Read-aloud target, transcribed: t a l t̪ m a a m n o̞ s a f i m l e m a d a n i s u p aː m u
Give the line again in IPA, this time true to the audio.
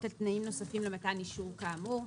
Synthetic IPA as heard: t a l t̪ n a i m n o̞ s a f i m l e m a t a n i ʃ u k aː m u